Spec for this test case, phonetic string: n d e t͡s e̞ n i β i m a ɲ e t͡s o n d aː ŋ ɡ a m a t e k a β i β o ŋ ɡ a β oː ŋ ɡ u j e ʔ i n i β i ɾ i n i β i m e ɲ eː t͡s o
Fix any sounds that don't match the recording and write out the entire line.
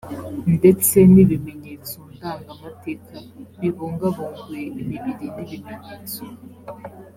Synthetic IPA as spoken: n d e t͡s e̞ n i β i m e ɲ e t͡s o n d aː ŋ ɡ a m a t e k a β i β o ŋ ɡ a β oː ŋ ɡ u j e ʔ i m i β i ɾ i n i β i m e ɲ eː t͡s o